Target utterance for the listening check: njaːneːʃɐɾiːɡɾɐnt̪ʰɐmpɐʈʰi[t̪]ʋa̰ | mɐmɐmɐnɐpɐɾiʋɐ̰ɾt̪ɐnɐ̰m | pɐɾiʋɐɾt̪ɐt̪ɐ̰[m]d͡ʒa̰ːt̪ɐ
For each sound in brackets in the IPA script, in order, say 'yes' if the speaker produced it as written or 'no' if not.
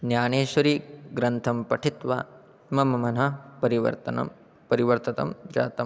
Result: yes, yes

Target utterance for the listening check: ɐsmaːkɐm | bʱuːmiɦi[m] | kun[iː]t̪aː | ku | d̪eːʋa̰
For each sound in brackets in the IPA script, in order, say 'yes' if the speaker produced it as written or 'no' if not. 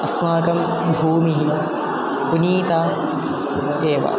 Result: no, yes

